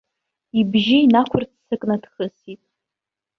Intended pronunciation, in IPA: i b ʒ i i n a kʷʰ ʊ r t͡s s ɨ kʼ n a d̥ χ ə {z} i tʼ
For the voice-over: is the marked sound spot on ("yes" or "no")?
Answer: no